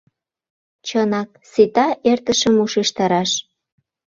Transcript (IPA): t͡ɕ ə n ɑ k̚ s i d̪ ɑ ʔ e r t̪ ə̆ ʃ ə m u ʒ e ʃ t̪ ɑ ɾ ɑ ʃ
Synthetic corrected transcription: t͡ɕ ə n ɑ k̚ s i t̪ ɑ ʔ e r t̪ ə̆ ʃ ə m u ʃ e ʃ t̪ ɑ ɾ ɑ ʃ